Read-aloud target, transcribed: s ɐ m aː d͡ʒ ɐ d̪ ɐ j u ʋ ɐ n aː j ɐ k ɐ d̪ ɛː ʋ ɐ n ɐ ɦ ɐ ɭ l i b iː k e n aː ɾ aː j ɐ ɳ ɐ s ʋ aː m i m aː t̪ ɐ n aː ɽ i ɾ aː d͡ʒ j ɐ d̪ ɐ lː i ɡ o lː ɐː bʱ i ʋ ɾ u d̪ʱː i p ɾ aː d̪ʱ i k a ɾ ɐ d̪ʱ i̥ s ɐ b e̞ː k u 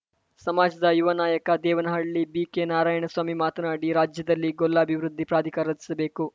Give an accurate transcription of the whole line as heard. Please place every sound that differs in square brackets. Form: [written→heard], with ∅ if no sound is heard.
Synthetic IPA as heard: s ɐ m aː d͡ʒ ɐ d̪ ɐ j u ʋ ɐ n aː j ɐ k ɐ d̪ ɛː ʋ ɐ n ɐ ɦ ɐ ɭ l i b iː k e n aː ɾ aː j ɐ ɳ ɐ s ʋ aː m i m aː t̪ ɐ n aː ɽ i ɾ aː d͡ʒ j ɐ d̪ ɐ lː i ɡ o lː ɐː bʱ i ʋ ɾ u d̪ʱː i p ɾ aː d̪ʱ i k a ɾ ɐ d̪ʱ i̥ s ɐ b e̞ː k u